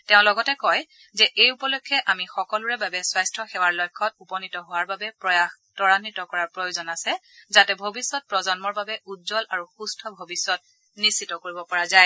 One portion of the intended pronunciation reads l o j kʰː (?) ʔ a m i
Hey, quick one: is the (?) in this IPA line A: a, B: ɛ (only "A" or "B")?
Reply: B